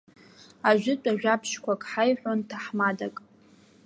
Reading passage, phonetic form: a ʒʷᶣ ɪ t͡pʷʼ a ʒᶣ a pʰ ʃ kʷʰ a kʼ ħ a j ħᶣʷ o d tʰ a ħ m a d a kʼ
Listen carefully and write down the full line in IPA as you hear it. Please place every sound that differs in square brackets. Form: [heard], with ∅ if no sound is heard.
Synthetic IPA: a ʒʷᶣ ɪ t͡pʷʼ a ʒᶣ a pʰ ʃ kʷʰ a kʼ ħ a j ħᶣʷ o [n] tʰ a ħ m a d a kʼ